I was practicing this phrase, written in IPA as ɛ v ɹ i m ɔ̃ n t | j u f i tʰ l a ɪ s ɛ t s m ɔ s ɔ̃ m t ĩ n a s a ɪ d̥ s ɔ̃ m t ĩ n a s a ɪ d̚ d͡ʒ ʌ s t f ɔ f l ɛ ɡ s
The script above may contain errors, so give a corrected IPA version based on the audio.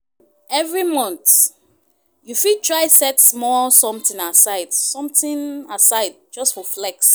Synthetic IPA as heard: ɛ v ɹ i m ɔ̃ n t | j u f i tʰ ɹ a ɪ s ɛ t s m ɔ s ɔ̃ m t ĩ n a s a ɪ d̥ s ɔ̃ m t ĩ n a s a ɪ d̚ d͡ʒ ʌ s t f ɔ f l ɛ k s